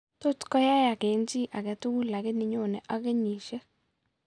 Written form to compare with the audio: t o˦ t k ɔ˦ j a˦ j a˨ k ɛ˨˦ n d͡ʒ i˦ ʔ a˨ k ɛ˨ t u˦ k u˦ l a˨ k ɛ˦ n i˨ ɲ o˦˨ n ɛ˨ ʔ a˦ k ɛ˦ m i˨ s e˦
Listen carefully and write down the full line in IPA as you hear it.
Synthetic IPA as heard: t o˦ t k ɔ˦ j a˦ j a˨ k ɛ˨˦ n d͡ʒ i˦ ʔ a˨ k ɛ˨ t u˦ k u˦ l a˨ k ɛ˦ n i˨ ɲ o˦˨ n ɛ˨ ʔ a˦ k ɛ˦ ɲ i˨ ʃ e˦